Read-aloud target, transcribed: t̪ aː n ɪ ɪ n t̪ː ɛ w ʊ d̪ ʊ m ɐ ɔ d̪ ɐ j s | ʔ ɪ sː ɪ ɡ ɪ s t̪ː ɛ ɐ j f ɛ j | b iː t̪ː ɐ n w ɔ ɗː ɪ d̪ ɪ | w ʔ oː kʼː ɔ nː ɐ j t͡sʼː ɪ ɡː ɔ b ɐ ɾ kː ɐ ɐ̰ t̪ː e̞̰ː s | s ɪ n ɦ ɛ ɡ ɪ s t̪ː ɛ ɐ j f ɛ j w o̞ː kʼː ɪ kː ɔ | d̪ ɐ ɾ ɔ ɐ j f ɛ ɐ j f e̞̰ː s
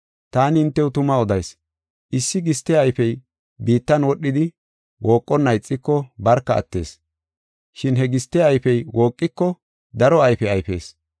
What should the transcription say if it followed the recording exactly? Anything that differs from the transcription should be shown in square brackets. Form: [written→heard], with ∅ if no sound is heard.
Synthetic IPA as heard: t̪ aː n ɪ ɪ n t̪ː ɛ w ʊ [d̪→t̪] ʊ m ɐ ɔ d̪ ɐ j s | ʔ ɪ sː ɪ ɡ ɪ s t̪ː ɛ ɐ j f ɛ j | b iː t̪ː ɐ n w ɔ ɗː ɪ d̪ ɪ | w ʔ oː kʼː ɔ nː ɐ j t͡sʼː ɪ [ɡː→kː] ɔ b ɐ ɾ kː ɐ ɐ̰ t̪ː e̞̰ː s | [s→ʃ] ɪ n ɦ ɛ ɡ ɪ s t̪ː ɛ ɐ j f ɛ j w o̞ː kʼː ɪ kː ɔ | d̪ ɐ ɾ ɔ ɐ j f ɛ ɐ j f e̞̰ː s